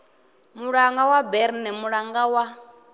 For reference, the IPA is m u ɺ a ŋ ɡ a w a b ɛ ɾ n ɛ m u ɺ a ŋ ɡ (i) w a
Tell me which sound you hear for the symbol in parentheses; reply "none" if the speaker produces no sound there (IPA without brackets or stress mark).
a